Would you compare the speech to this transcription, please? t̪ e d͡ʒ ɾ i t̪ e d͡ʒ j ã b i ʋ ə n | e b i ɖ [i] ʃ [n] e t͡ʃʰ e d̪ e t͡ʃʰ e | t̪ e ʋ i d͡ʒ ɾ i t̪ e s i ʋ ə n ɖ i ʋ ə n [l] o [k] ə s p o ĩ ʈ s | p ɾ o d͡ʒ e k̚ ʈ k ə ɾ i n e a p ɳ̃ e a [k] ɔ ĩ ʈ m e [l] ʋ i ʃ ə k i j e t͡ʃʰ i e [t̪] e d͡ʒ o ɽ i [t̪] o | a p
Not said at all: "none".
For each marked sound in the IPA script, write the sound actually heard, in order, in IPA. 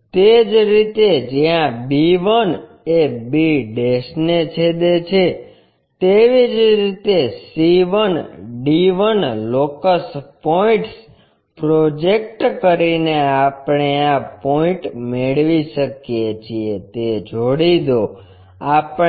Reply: e, n, l, k, p, ɭ, t̪, d̪

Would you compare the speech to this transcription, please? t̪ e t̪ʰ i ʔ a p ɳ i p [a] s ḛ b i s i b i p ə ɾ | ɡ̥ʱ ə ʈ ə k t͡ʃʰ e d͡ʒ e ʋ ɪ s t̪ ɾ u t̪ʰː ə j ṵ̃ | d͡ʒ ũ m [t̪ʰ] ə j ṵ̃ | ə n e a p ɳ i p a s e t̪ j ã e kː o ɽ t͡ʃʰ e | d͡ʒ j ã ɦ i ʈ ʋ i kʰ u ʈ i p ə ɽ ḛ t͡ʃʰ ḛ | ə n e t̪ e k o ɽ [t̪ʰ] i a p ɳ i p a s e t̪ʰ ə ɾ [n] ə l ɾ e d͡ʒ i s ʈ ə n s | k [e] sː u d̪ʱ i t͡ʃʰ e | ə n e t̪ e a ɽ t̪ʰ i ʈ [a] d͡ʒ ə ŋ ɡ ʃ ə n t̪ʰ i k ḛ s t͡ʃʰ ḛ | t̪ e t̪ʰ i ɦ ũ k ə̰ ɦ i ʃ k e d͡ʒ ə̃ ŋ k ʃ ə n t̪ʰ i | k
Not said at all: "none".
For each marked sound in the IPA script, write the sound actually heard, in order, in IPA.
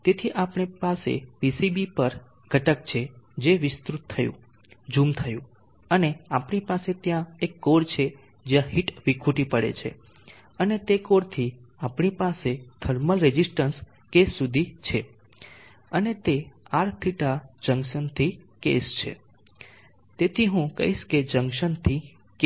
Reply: a, t̪ʰ, t̪ʰ, m, e, a

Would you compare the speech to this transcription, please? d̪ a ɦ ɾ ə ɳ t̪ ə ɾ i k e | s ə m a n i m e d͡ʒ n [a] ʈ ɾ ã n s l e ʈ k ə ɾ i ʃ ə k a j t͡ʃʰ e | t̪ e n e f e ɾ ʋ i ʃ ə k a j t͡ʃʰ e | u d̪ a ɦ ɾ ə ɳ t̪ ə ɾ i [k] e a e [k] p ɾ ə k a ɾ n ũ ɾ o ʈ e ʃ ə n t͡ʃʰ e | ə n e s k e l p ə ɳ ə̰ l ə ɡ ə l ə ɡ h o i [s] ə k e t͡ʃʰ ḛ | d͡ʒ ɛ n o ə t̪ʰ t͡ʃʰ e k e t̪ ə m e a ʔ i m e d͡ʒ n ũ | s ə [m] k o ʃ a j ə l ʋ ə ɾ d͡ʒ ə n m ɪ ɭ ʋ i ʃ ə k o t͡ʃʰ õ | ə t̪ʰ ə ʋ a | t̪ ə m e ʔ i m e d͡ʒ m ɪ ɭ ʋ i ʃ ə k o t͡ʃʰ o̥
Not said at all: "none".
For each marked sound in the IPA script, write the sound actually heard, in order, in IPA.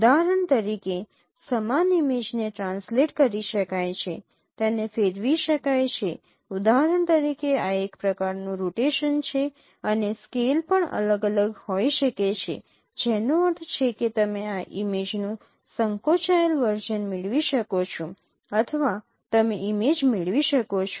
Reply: e, k, k, ʃ, ŋ

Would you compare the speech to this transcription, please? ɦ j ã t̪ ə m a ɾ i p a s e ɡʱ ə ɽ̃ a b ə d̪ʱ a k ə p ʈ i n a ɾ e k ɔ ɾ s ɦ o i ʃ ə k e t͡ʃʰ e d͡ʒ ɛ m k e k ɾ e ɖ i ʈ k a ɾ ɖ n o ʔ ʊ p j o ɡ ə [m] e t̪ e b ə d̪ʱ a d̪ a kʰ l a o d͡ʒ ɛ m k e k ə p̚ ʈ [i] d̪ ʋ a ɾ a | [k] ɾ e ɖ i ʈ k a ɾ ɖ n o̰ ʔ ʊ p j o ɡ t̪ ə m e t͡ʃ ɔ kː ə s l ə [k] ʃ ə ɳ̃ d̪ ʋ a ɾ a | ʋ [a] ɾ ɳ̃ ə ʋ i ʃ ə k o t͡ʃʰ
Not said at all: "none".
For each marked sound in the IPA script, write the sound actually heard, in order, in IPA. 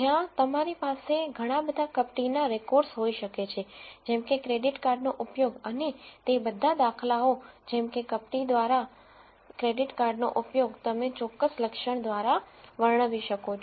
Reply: n, i, k, k, ə

